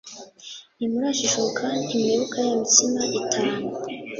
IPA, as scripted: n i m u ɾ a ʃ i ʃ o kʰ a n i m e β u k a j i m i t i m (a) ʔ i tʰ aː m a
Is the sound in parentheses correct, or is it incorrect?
correct